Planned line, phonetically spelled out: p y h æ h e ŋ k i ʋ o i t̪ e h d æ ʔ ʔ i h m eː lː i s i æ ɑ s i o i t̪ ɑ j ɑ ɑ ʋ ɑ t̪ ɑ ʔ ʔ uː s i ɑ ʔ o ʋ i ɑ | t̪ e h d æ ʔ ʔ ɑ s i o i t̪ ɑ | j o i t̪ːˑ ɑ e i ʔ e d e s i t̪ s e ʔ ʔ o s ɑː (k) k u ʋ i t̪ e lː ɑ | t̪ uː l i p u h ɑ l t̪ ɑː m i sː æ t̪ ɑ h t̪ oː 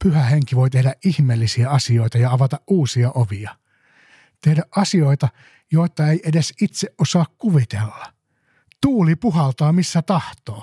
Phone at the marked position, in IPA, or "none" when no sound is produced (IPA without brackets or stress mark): k